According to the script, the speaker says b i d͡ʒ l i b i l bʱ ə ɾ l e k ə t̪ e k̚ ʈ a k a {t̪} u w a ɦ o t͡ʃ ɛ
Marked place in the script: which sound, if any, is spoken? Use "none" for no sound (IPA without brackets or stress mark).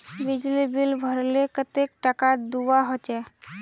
d̪